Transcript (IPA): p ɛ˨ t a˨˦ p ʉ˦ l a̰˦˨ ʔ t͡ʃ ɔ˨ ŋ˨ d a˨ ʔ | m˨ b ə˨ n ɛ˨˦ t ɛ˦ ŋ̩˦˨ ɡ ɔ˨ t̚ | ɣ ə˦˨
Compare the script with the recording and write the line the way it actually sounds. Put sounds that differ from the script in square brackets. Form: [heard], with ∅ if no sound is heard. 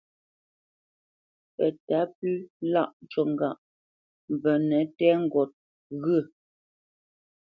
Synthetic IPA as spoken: p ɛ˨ t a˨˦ p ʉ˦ l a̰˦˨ ʔ t͡ʃ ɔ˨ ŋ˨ [ɡ] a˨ ʔ | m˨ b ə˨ n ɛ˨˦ t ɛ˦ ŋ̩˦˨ ɡ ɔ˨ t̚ | ɣ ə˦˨